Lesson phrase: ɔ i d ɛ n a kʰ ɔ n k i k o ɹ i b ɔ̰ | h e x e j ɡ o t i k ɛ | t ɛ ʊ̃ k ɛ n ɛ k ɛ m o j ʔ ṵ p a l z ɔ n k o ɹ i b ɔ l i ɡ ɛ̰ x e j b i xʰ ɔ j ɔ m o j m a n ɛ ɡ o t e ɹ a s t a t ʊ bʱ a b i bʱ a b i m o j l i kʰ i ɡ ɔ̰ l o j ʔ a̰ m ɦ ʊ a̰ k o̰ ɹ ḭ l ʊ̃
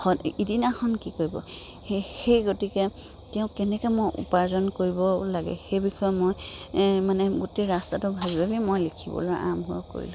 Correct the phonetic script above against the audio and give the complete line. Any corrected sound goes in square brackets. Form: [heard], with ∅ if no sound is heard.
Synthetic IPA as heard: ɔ i d [i] n a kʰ ɔ n k i k o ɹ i b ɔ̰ | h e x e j ɡ o t i k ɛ | t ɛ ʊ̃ k ɛ n ɛ k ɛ m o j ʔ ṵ p a [ɹ] z ɔ n k o ɹ i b ɔ l [a] ɡ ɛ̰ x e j b i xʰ ɔ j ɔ m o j m a n ɛ ɡ o t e ɹ a s t a t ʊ bʱ a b i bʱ a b i m o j l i kʰ i [b] ɔ̰ l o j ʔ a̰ m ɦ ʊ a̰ k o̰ ɹ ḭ l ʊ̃